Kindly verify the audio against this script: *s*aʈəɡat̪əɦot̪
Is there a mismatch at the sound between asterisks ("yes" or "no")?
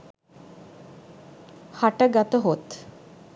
yes